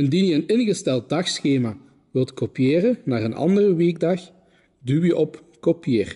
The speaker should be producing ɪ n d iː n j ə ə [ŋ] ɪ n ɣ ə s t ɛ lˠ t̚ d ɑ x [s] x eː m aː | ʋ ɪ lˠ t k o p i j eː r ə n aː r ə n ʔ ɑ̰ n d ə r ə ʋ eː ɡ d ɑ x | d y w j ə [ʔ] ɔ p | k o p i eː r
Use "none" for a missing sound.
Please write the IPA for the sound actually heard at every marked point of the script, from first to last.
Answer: n, s, ʔ

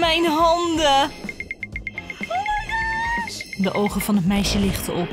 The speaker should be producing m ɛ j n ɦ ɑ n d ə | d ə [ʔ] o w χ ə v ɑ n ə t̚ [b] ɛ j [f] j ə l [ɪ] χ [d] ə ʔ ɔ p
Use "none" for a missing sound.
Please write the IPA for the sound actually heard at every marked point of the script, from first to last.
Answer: ʔ, m, ʃ, ɪ, t

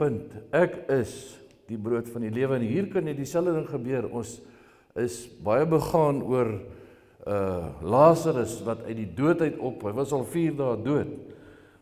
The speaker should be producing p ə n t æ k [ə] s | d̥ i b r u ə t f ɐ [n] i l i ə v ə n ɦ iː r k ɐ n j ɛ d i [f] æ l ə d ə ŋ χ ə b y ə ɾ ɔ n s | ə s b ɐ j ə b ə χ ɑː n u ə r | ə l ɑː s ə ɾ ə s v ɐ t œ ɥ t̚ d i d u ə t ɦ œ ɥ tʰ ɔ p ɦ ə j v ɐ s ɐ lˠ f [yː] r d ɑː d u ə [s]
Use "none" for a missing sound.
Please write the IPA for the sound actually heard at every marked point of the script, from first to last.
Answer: ə, n, s, iː, t

